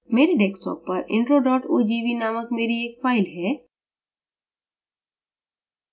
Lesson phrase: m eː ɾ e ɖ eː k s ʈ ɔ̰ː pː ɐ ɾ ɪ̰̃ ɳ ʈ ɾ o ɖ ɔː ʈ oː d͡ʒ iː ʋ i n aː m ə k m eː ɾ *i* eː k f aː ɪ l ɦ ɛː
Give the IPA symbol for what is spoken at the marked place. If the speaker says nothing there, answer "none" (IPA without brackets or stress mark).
i